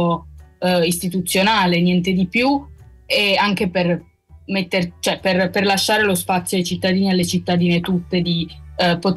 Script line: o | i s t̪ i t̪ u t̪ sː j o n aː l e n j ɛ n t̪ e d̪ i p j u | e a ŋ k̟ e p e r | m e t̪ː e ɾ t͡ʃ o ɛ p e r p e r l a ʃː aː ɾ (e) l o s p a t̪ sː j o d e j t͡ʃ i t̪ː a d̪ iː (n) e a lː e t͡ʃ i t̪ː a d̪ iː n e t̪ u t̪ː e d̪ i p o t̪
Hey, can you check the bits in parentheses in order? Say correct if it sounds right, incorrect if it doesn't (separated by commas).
correct, correct